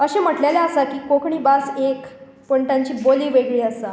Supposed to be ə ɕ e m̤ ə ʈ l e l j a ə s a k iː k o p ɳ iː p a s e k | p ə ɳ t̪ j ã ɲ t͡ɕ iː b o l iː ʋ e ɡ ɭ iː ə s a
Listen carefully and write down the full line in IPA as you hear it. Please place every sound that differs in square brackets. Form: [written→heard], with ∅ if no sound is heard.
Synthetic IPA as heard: ə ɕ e m̤ ə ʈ l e l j a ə s a k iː k o [p→k] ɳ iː [p→b] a s e k | p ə ɳ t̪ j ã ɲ t͡ɕ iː b o l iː ʋ e ɡ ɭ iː ə s a